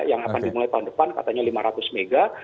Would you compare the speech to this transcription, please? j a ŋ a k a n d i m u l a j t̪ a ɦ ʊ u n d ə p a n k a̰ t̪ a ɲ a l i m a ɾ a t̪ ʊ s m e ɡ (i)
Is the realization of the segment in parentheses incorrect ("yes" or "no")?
yes